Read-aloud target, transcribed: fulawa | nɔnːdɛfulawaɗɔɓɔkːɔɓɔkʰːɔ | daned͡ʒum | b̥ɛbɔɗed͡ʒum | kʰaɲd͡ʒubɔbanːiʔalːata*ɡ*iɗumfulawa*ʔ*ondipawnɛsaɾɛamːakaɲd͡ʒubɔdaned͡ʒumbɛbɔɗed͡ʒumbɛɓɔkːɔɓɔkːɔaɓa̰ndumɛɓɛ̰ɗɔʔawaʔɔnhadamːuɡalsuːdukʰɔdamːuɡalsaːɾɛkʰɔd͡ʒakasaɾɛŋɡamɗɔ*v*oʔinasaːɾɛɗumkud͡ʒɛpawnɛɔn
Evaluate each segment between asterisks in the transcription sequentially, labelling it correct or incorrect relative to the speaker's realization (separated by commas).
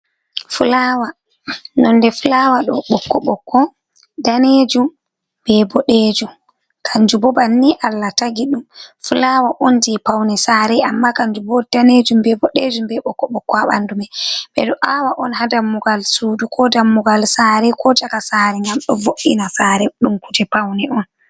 correct, correct, correct